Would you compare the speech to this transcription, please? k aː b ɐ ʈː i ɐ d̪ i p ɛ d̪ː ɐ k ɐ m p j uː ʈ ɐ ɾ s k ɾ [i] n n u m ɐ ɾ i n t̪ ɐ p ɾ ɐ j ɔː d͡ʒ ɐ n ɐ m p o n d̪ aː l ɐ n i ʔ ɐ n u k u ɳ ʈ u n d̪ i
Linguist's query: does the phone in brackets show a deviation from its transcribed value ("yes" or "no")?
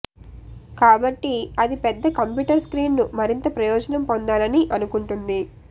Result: yes